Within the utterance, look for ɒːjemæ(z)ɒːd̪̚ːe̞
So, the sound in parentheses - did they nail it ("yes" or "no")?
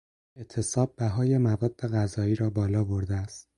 no